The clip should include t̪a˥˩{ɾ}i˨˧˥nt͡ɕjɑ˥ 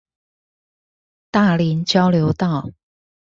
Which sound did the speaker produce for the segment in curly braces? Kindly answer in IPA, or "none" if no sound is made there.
l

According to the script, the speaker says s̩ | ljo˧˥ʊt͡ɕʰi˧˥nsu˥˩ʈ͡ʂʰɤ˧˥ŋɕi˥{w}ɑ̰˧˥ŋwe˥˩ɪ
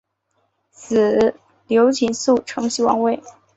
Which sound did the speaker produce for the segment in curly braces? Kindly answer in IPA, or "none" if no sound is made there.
w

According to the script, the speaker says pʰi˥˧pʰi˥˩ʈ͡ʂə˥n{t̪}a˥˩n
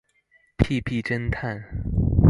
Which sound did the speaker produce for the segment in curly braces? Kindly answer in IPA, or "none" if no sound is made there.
t̪ʰ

